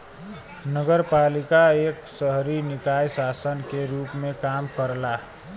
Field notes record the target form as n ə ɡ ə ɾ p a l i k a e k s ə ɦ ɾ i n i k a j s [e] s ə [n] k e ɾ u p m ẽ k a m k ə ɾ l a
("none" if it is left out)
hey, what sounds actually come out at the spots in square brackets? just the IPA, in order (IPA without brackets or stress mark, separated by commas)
a, n